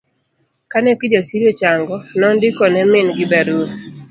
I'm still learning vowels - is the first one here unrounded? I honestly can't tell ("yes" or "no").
yes